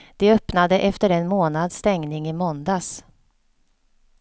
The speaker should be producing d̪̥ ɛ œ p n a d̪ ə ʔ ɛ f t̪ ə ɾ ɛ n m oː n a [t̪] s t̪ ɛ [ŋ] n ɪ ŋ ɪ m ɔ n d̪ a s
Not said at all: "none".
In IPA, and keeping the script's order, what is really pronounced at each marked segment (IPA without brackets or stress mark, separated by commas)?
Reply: d̪, ŋ